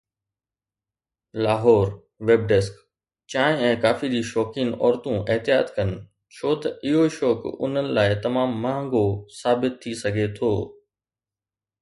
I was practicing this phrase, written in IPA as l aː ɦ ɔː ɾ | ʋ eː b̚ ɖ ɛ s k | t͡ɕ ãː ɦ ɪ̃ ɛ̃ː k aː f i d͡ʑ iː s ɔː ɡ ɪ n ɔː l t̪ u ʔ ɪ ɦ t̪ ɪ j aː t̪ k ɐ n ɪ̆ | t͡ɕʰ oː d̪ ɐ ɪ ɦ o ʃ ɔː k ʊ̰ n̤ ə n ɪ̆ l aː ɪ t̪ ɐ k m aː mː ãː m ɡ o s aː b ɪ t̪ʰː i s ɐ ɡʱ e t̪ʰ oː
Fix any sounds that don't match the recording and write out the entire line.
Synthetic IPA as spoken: l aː ɦ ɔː ɾ | ʋ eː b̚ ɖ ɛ s k | t͡ɕ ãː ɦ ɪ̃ ɛ̃ː k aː f i d͡ʑ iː ʃ ɔː k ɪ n ɔː ɾ t̪ ũ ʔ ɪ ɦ t̪ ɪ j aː t̪ k ɐ n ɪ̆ | t͡ɕʰ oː t̪ ɐ ɪ ɦ o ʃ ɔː k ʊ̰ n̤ ə n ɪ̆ l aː ɪ t̪ ɐ m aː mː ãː ŋ ɡ o s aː b ɪ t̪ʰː i s ɐ ɡʱ e t̪ʰ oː